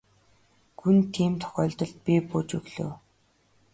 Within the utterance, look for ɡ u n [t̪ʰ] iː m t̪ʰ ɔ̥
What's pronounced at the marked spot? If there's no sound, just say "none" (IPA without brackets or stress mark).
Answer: t̪ʰ